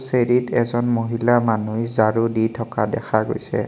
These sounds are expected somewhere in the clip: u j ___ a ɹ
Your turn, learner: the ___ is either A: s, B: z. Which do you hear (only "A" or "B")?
B